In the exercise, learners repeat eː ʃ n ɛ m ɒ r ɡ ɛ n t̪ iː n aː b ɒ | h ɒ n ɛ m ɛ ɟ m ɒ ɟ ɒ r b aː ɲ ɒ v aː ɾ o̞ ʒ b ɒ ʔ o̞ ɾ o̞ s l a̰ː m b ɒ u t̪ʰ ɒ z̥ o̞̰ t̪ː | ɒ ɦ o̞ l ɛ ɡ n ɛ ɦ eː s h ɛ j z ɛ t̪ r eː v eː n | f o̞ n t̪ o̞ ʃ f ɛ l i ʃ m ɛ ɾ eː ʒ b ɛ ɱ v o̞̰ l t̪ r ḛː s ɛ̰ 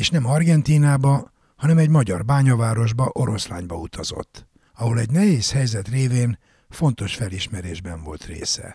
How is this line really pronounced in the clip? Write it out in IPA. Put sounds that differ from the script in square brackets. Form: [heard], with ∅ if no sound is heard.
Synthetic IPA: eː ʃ n ɛ m ɒ r ɡ ɛ n t̪ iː n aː b ɒ | h ɒ n ɛ m ɛ ɟ m ɒ ɟ ɒ r b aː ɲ ɒ v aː ɾ o̞ ʒ b ɒ ʔ o̞ ɾ o̞ s l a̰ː [ɲ] b ɒ u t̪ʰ ɒ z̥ o̞̰ t̪ː | ɒ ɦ o̞ l ɛ [ɟ] n ɛ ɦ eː s h ɛ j z ɛ t̪ r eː v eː n | f o̞ n t̪ o̞ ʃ f ɛ l i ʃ m ɛ ɾ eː ʒ b ɛ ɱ v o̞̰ l t̪ r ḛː s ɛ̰